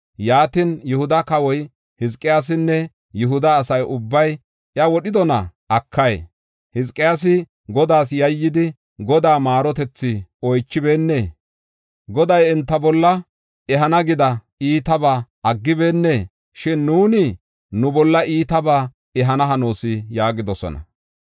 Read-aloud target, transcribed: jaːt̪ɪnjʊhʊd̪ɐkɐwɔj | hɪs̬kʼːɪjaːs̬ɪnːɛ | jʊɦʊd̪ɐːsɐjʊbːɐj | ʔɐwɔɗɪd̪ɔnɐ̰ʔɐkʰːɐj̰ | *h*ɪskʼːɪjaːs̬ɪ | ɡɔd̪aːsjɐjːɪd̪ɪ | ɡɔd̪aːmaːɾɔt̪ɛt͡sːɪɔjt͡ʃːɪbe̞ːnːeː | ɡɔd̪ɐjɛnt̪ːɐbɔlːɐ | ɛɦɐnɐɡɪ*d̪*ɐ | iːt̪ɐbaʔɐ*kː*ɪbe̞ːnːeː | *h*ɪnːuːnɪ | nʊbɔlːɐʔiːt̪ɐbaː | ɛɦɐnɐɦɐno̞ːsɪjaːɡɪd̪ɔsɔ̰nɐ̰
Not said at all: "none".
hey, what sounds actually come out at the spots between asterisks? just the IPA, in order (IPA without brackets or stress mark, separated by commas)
h, d̪, ɡː, ʃ